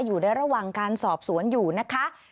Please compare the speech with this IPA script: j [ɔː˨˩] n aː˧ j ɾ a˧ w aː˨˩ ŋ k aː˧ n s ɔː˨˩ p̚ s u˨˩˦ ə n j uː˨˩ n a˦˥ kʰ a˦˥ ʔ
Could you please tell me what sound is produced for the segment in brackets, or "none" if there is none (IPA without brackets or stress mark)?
uː˨˩